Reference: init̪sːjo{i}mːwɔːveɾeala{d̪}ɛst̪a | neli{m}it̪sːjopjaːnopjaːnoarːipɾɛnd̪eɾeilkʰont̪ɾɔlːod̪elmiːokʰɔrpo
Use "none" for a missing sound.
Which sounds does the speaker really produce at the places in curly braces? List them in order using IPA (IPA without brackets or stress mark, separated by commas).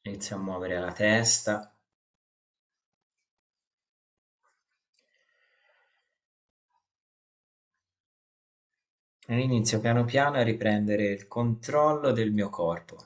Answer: a, t̪, n